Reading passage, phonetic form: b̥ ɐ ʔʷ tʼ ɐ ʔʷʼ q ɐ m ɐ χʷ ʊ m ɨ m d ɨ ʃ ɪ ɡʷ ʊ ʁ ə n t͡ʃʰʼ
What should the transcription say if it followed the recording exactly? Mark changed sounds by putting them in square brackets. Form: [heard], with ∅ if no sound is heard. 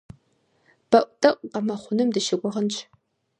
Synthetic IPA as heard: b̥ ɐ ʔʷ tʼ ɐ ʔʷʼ q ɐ m ɐ χʷ ʊ [n] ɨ m d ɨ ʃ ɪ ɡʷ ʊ ʁ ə n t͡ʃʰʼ